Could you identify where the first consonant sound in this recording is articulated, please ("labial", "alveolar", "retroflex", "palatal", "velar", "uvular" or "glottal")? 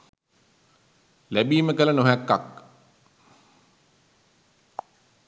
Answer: alveolar